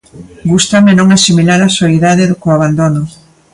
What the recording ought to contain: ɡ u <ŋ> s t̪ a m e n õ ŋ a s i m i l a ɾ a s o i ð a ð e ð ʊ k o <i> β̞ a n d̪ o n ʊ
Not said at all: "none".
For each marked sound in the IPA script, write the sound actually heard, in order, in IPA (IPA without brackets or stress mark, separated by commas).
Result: none, a